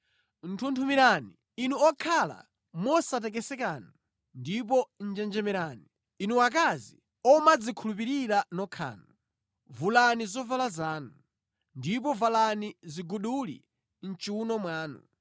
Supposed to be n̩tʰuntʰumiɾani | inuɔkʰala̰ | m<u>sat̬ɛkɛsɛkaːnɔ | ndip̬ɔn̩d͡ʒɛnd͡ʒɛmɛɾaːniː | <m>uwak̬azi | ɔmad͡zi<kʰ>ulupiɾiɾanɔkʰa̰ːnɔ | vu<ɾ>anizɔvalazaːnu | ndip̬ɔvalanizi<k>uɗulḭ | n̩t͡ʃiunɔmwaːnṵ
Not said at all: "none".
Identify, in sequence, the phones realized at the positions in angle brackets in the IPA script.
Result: ɔ, n, kʰ, l, ɡ

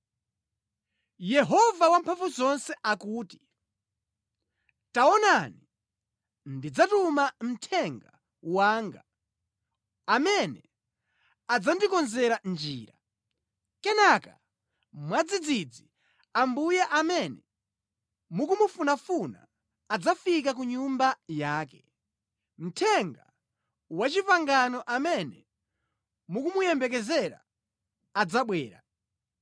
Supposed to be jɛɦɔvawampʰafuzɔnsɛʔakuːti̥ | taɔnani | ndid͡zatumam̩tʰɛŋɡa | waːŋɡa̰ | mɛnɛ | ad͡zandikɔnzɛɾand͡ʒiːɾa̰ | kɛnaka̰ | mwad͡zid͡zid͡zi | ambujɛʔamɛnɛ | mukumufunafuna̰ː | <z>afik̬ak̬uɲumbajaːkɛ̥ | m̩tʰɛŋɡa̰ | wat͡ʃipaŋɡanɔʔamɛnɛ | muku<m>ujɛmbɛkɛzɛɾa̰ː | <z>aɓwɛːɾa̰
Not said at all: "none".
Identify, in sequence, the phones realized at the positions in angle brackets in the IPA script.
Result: d͡z, m, d͡z

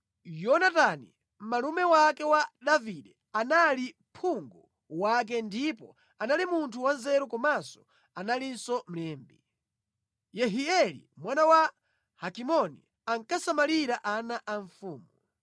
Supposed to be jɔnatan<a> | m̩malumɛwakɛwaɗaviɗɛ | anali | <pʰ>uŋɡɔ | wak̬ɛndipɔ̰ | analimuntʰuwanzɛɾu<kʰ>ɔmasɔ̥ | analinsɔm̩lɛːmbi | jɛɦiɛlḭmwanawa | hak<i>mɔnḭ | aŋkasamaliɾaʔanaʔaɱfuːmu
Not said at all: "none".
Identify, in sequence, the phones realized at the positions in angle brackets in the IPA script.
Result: i, pʰ, k, i

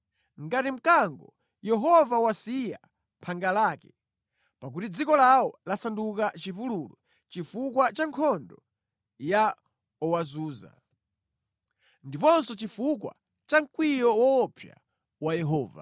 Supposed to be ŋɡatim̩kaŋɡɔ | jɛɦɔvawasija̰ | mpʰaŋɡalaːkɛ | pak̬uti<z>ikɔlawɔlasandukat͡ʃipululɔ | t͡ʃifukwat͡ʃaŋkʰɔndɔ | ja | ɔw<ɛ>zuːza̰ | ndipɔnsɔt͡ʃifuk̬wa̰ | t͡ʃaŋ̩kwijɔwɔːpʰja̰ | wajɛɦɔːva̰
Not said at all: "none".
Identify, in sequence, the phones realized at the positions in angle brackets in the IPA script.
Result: d͡z, a

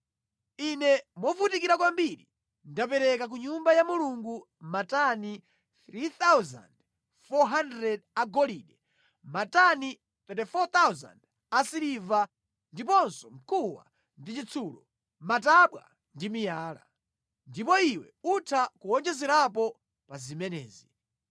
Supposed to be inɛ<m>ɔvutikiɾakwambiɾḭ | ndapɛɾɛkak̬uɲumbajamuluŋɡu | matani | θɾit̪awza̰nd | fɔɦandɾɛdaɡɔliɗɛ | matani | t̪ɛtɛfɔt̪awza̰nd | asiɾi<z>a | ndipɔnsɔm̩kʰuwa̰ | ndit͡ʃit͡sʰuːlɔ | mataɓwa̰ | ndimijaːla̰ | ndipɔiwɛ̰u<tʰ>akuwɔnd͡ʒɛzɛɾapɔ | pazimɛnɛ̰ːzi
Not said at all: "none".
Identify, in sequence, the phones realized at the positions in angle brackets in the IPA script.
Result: m, v, tʰ

